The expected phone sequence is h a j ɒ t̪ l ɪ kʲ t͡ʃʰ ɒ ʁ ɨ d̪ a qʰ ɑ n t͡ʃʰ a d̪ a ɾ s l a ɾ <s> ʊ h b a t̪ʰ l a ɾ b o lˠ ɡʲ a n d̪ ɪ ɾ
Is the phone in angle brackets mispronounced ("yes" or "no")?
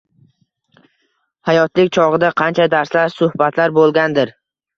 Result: no